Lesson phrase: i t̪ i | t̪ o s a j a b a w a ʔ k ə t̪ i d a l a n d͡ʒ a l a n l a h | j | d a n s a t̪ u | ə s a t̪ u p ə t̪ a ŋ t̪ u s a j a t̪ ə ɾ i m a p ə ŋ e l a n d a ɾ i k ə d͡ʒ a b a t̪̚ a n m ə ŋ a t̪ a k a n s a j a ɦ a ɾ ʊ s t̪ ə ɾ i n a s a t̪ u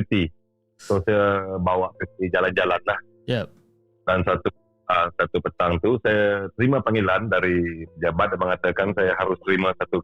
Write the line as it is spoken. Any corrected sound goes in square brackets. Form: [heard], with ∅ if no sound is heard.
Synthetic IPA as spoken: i t̪ i | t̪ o s a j a b a w a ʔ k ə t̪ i [d͡ʒ] a l a n d͡ʒ a l a n l a h | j | d a n s a t̪ u | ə s a t̪ u p ə t̪ a ŋ t̪ u s a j a t̪ ə ɾ i m a p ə ŋ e l a n d a ɾ i [p] ə d͡ʒ a b a t̪̚ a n m ə ŋ a t̪ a k a n s a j a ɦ a ɾ ʊ s t̪ ə ɾ i [m] a s a t̪ u